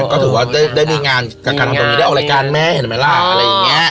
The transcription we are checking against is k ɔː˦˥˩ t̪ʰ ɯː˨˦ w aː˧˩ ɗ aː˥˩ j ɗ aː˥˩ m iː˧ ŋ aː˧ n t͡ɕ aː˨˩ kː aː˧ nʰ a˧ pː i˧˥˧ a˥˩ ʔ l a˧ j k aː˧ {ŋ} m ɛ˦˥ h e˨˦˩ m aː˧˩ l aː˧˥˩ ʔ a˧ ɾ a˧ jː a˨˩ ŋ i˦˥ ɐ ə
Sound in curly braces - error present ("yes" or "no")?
yes